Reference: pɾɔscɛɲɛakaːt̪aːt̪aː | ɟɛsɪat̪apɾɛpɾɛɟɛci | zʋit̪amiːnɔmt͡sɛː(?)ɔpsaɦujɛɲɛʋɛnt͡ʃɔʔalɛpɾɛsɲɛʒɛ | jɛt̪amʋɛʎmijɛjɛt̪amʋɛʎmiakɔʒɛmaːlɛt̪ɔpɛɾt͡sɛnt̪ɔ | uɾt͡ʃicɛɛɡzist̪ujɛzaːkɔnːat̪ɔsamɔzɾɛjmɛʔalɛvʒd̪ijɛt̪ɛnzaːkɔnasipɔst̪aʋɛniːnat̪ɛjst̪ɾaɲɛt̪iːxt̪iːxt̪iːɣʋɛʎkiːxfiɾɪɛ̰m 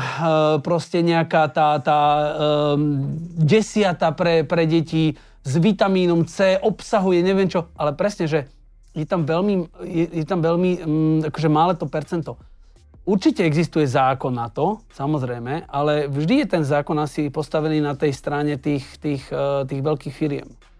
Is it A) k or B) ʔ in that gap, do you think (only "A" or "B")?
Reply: B